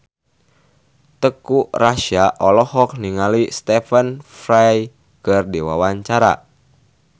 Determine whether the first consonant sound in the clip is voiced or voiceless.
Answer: voiceless